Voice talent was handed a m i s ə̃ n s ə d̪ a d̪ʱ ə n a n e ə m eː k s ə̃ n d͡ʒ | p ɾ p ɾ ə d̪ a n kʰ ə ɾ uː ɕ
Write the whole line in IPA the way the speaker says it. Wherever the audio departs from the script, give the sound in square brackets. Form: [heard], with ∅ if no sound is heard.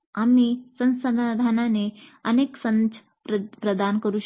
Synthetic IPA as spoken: a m i s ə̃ n s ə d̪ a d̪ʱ [a] n a n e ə [n] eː k s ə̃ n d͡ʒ | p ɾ p ɾ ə d̪ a n [k] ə ɾ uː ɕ